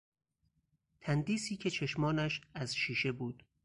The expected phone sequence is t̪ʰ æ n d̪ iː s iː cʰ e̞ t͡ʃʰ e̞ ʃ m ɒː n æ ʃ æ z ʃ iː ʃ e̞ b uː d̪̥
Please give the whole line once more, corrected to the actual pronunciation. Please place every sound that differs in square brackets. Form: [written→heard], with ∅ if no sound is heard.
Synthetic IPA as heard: t̪ʰ æ n d̪ iː s iː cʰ e̞ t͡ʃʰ e̞ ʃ m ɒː n æ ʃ æ z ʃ iː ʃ e̞ b uː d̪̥